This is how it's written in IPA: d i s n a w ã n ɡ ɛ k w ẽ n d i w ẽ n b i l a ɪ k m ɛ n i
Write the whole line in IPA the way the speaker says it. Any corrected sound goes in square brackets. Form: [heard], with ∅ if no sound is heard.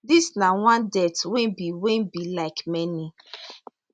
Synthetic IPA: d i s n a w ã n [d] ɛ [t] w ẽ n [b] i w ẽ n b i l a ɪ k m ɛ n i